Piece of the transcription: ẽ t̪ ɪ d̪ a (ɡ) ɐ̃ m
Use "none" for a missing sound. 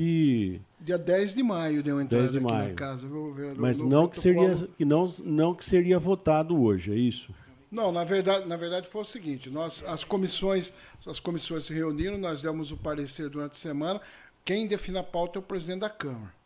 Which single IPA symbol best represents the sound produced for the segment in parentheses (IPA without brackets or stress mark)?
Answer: k